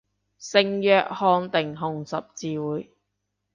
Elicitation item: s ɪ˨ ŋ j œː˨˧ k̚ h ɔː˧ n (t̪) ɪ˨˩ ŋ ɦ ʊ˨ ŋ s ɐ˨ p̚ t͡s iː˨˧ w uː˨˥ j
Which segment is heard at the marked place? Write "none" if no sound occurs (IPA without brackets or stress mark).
t̪